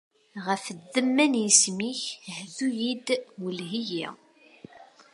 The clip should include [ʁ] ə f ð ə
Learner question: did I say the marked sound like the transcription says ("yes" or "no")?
yes